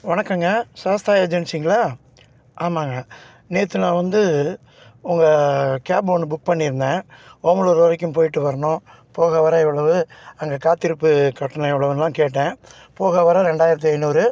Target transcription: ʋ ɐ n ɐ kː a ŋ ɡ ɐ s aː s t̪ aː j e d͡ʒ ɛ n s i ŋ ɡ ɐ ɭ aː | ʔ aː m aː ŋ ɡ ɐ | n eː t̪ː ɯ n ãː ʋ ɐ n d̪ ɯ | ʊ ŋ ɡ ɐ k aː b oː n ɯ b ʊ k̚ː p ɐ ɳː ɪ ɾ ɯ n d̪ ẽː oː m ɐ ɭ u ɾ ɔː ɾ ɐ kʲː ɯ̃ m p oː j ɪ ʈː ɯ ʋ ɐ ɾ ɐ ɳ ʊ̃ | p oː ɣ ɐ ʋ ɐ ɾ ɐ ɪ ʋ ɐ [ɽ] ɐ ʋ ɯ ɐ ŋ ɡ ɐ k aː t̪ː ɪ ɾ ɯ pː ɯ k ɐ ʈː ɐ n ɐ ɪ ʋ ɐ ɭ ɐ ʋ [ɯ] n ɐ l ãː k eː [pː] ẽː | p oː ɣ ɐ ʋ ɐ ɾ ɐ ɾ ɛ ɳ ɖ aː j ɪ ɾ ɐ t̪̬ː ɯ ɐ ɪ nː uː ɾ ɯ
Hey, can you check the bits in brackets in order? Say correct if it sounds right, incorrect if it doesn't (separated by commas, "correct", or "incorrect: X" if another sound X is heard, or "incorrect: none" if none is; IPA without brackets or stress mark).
incorrect: ɭ, correct, incorrect: ʈː